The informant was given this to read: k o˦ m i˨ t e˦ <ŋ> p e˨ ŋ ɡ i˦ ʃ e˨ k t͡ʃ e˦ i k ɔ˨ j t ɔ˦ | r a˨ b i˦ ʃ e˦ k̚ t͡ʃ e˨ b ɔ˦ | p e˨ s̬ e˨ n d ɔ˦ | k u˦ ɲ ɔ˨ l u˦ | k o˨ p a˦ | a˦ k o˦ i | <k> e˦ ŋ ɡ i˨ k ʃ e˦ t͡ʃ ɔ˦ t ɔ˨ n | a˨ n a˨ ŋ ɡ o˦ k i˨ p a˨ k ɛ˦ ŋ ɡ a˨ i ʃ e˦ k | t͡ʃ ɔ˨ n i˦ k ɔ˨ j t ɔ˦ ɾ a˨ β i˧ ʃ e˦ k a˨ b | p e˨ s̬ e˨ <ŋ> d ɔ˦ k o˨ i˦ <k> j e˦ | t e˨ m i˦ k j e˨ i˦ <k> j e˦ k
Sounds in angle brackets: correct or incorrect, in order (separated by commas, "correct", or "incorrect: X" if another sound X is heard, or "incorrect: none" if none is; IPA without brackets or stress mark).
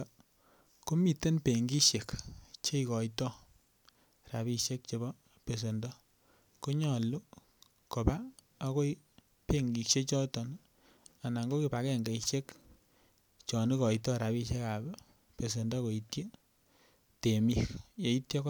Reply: incorrect: n, incorrect: p, incorrect: n, incorrect: t, incorrect: t